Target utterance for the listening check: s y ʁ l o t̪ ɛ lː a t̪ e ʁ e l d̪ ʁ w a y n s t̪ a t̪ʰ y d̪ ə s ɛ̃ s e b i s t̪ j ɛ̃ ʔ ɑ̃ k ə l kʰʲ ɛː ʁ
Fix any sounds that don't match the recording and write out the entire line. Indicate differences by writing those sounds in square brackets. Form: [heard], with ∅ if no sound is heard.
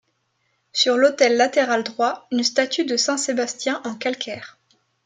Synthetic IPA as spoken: s y ʁ l o t̪ ɛ lː a t̪ e ʁ [a] l d̪ ʁ w a y n s t̪ a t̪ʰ y d̪ ə s ɛ̃ s e b [a] s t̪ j ɛ̃ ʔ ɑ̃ k [a] l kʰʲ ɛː ʁ